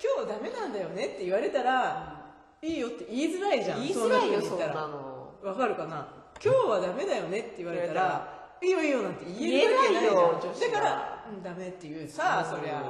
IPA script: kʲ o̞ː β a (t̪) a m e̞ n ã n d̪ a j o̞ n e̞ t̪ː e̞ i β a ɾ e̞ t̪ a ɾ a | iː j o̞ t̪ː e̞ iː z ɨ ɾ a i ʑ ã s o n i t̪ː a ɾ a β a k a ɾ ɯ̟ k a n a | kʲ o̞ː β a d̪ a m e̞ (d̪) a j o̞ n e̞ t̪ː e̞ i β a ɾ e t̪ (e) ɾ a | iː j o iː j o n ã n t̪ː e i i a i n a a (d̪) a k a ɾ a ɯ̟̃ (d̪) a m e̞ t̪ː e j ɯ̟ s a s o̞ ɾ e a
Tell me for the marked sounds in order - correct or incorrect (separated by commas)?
incorrect, correct, incorrect, correct, correct